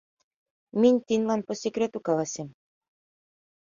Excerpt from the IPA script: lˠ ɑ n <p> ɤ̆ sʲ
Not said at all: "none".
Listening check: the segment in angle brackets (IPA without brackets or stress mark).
p